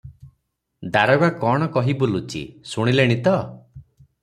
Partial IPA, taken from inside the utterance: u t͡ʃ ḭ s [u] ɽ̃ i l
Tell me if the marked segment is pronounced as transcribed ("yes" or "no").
yes